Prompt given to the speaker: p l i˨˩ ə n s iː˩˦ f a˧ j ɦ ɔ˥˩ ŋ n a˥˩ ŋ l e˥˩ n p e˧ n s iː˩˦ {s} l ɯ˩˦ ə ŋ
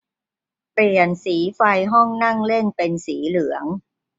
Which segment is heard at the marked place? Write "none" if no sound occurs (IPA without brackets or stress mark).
none